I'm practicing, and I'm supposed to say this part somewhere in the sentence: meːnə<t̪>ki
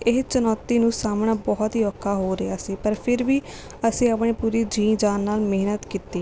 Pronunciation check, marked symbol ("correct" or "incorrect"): correct